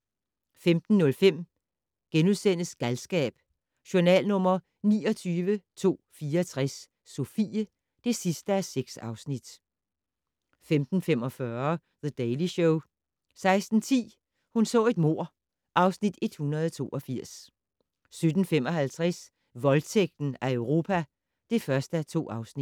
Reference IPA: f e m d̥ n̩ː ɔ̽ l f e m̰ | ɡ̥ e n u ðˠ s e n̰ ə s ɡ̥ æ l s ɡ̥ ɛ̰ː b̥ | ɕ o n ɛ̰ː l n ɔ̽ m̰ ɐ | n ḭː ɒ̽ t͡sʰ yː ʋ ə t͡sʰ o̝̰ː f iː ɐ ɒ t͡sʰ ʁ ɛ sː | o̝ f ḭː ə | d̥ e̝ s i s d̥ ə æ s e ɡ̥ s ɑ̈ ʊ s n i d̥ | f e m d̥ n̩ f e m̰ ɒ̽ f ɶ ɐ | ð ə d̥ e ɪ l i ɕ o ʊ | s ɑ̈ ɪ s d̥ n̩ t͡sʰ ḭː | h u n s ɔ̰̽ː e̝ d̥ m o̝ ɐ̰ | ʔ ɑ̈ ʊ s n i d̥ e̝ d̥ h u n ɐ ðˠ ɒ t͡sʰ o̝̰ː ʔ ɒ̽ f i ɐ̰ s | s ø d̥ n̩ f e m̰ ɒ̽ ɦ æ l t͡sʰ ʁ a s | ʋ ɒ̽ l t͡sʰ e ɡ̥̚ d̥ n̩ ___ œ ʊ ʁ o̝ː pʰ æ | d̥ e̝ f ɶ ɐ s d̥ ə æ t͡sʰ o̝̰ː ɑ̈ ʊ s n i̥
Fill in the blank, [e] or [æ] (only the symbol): æ